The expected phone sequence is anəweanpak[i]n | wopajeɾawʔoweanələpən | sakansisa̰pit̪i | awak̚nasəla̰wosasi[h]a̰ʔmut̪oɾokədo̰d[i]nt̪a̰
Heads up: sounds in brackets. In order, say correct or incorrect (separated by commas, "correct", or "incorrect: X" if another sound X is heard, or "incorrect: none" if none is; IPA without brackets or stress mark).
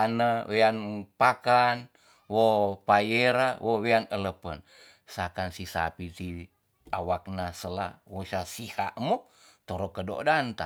incorrect: a, correct, incorrect: a